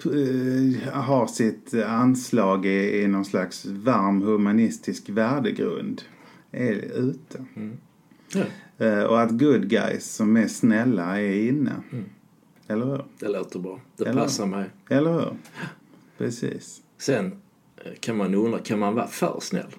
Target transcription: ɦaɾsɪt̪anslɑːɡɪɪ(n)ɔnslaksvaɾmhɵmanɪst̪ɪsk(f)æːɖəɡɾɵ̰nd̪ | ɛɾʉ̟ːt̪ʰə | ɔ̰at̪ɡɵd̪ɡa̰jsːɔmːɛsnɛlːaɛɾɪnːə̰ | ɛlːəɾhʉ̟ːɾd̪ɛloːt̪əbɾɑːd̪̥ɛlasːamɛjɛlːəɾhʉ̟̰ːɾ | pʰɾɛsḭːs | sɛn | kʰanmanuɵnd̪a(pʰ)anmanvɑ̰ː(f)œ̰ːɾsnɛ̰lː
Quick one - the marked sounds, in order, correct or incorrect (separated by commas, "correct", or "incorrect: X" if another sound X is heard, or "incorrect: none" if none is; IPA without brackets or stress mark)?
correct, incorrect: v, incorrect: kʰ, correct